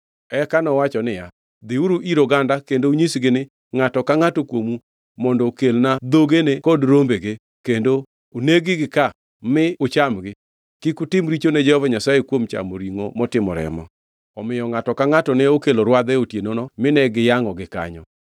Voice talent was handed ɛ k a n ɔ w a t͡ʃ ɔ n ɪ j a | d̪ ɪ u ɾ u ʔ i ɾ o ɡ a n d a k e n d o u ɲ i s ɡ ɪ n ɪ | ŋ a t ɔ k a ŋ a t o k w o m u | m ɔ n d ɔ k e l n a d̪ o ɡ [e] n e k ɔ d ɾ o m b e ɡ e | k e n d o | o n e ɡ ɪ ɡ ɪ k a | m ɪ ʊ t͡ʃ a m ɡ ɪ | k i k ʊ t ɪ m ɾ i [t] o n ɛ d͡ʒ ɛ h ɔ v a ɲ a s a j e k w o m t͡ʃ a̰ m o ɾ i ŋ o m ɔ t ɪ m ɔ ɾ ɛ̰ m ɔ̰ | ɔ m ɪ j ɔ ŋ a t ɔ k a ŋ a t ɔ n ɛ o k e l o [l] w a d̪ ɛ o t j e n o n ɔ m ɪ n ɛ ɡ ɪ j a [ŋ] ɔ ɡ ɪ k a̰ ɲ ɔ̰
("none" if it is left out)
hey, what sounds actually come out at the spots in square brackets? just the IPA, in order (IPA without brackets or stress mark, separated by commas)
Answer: e, t͡ʃ, ɾ, ŋ